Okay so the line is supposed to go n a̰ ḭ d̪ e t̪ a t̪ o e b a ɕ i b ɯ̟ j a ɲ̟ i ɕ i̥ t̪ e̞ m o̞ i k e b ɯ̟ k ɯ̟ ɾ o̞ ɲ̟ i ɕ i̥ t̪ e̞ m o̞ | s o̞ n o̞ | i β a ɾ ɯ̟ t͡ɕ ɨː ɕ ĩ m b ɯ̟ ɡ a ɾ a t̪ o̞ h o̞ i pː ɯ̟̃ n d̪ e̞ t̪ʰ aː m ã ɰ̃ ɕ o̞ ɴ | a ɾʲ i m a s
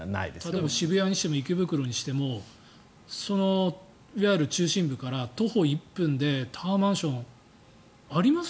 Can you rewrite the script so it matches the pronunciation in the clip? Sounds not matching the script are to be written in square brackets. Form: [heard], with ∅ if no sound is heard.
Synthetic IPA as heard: n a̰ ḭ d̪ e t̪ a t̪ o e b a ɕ i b ɯ̟ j a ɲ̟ i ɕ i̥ t̪ e̞ m o̞ i k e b ɯ̟ k ɯ̟ ɾ o̞ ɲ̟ i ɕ i̥ t̪ e̞ m o̞ | s o̞ n o̞ | i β a ɾ ɯ̟ t͡ɕ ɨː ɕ ĩ m b ɯ̟ [k] a ɾ a t̪ o̞ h o̞ i pː ɯ̟̃ n d̪ e̞ t̪ʰ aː m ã ɰ̃ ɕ [õ̞] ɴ | a ɾʲ i m a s